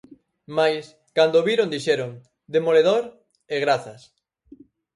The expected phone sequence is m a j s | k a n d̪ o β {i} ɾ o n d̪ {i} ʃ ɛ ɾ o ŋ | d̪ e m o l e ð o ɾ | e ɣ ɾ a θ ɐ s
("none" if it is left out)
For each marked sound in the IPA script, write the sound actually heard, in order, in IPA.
i, i

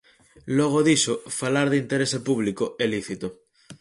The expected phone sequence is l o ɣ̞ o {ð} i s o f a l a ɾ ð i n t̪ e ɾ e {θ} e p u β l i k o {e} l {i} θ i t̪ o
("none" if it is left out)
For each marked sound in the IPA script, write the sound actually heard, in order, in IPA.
ð, s, e, i

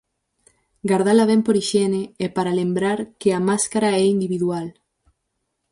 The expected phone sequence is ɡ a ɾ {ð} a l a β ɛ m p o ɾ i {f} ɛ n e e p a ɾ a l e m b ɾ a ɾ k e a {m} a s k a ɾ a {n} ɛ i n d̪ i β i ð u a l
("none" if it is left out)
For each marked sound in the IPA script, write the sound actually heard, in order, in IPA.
ð, ʃ, m, none

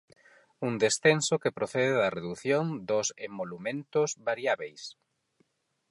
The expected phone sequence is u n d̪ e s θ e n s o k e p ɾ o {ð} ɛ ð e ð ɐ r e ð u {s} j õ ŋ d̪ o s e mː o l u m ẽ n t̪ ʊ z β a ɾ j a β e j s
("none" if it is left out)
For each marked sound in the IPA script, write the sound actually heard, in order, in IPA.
θ, θ

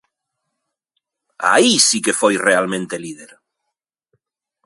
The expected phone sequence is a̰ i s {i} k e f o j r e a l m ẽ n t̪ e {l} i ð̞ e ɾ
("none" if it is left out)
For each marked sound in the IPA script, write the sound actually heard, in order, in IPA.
i, l

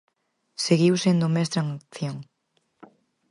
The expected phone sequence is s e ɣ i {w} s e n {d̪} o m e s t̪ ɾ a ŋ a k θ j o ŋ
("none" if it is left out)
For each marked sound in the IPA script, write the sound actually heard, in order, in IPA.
w, d̪

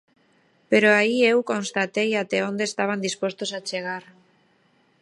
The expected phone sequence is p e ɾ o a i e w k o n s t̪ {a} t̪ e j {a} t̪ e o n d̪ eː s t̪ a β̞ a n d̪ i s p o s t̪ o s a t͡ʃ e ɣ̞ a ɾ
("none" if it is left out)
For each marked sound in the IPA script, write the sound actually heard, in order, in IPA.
a, a

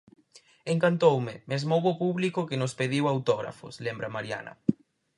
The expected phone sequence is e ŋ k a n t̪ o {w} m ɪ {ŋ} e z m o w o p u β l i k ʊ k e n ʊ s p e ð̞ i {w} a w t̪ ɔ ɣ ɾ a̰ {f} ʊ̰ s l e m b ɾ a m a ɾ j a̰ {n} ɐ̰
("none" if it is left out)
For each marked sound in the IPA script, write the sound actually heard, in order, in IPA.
w, m, w, f, n

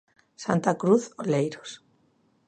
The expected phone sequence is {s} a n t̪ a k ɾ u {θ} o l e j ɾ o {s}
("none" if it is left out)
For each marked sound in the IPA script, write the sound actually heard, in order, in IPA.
s, θ, s

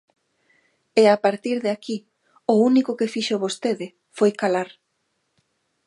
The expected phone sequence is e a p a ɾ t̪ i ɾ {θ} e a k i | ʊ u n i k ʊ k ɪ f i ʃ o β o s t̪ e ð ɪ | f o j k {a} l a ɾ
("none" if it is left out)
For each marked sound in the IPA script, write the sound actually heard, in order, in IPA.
ð, a

